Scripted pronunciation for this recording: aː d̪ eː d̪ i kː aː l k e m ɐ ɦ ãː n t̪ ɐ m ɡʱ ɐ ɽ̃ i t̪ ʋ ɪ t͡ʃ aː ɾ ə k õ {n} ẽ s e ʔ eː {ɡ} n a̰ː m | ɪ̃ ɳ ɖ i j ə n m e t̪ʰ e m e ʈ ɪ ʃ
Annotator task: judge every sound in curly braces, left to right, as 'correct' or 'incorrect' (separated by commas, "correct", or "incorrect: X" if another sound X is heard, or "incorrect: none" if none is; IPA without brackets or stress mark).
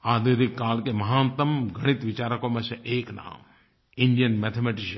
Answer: incorrect: m, incorrect: k